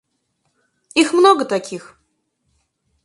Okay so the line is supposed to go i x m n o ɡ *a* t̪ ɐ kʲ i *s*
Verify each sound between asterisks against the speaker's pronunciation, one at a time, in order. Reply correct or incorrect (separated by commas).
incorrect, incorrect